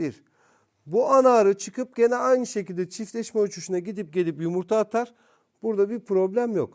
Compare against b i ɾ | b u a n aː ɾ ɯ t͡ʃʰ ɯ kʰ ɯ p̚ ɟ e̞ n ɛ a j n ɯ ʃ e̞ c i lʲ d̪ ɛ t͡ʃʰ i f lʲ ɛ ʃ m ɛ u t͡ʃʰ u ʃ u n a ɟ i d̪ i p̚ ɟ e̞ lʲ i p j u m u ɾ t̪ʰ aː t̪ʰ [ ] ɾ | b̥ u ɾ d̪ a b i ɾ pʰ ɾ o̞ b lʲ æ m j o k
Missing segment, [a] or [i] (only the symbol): a